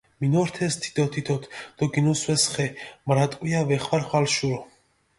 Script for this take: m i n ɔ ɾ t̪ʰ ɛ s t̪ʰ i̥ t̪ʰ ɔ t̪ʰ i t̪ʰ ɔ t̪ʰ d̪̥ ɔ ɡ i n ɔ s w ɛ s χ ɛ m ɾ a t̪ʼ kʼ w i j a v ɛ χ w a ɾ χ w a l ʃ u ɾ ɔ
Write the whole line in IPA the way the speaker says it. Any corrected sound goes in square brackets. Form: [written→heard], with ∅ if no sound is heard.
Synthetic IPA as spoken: m i n ɔ ɾ t̪ʰ ɛ s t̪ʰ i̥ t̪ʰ ɔ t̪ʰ i t̪ʰ ɔ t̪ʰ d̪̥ ɔ ɡ i n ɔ s w ɛ s χ ɛ m ɾ a t̪ʼ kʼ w i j a v ɛ χ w a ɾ χ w a l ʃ u ɾ ɔ

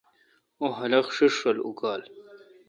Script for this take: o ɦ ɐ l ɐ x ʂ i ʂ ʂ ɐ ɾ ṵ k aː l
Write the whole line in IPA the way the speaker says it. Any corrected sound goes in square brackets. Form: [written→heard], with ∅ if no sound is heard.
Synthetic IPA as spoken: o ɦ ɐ l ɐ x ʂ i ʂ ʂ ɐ [ɾ→l] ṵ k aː l

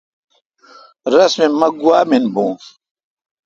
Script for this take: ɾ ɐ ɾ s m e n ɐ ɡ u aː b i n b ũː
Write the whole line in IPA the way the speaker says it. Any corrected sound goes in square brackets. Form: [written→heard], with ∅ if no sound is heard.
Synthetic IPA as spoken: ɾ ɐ [ɾ→∅] s m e [n→m] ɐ ɡ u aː [b→m] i n b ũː

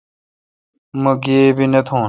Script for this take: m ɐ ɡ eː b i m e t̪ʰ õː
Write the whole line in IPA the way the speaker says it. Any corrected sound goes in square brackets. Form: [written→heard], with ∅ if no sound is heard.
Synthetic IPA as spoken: m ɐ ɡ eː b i [m→n] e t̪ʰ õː

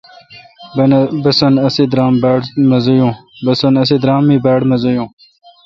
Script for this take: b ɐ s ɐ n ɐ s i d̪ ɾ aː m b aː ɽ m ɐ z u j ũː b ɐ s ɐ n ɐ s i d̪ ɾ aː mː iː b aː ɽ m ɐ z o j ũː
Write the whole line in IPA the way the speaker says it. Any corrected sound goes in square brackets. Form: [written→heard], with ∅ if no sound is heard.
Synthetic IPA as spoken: b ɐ s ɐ n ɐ s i d̪ ɾ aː m b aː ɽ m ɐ z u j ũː b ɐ s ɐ n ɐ s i d̪ ɾ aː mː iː b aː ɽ m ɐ z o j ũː

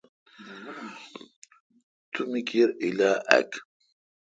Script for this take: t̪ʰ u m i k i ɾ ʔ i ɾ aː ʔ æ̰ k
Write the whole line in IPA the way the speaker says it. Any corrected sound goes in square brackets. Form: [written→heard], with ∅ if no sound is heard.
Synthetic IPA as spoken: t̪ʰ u m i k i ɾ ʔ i [ɾ→l] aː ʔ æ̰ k

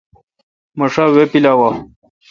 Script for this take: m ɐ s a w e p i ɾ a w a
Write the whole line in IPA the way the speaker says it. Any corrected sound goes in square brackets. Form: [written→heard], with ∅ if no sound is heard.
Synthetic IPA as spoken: m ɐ [s→ʂ] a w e p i [ɾ→l] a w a

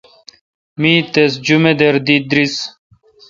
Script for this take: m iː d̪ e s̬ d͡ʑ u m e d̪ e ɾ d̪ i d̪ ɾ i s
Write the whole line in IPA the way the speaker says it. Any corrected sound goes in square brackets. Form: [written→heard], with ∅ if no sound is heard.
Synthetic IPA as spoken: m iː [d̪→t̪] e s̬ d͡ʑ u m e d̪ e ɾ d̪ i d̪ ɾ i s

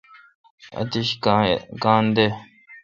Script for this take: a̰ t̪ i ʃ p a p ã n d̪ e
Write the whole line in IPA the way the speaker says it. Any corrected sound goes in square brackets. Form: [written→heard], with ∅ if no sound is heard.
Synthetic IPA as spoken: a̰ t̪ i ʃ [p→k] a [p→k] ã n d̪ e

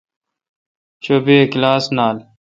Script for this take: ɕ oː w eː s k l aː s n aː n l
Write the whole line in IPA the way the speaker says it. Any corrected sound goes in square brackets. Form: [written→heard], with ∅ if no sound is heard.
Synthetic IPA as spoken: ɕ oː [w→b] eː [s→∅] k l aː s n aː [n→∅] l

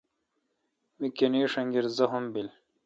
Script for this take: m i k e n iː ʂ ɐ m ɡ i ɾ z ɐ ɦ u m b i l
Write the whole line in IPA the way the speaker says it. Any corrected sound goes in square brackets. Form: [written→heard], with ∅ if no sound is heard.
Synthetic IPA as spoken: m i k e n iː ʂ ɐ [m→ŋ] ɡ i ɾ z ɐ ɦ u m b i l

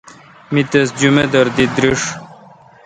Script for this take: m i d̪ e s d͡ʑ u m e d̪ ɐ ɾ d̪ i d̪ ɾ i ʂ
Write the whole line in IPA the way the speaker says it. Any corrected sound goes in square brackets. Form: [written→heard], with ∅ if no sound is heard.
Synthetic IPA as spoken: m i [d̪→t̪] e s d͡ʑ u m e d̪ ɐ ɾ d̪ i d̪ ɾ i ʂ

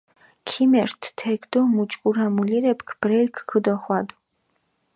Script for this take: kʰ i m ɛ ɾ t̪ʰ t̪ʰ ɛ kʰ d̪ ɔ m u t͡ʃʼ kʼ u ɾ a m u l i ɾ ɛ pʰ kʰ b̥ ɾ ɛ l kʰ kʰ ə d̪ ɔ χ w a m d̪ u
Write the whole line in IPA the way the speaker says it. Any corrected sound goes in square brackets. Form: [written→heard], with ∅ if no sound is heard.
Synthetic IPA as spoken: kʰ i m ɛ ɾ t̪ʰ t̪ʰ ɛ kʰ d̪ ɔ m u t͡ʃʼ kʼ u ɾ a m u l i ɾ ɛ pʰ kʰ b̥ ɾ ɛ l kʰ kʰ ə d̪ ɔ χ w a [m→∅] d̪ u

